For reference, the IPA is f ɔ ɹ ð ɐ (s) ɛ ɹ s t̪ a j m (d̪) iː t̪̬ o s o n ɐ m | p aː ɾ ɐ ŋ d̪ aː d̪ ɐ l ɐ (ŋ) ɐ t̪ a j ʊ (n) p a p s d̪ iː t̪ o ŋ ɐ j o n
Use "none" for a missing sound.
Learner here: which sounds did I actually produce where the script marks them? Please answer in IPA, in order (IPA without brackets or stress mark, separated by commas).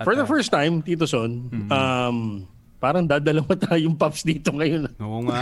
f, t̪, m, ŋ